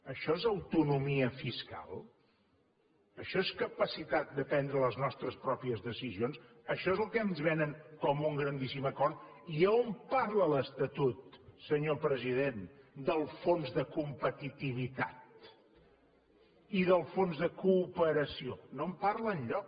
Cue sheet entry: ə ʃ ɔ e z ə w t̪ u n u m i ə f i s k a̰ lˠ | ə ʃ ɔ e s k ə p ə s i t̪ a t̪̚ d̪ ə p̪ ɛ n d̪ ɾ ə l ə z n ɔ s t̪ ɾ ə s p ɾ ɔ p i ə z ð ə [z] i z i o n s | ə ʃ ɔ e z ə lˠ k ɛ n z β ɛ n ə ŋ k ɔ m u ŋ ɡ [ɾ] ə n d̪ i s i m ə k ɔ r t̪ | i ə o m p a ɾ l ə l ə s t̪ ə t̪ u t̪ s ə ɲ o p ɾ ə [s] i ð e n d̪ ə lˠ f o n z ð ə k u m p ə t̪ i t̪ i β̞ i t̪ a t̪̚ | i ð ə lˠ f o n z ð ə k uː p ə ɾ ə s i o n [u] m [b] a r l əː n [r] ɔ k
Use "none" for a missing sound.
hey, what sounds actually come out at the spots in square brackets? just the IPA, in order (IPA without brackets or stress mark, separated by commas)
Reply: s, ɾ, z, o, p, ʎ